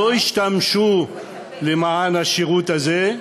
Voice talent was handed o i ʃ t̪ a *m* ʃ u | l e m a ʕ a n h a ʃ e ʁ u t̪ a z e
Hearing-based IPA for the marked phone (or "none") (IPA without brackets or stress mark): m